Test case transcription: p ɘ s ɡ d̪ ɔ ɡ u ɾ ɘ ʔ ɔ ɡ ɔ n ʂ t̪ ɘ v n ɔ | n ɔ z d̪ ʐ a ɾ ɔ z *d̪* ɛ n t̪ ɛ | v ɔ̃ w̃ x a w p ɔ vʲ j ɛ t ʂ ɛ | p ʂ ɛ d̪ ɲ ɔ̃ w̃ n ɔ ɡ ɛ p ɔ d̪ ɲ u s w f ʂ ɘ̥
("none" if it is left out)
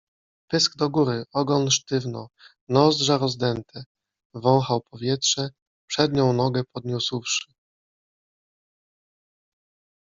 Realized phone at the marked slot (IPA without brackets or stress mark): d̪